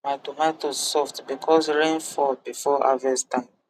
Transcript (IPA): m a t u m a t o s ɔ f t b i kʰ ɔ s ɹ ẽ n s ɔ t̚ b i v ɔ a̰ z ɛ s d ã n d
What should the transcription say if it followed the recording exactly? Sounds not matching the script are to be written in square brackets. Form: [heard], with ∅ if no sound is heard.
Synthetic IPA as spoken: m a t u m a t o s ɔ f t b i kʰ ɔ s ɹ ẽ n [f] ɔ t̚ b i [f] ɔ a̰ [v] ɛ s [t] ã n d